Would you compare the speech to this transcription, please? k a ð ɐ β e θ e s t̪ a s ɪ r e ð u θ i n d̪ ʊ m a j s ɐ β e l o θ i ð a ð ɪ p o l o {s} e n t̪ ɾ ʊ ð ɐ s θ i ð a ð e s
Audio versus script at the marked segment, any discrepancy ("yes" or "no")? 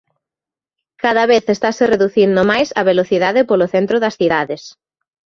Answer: yes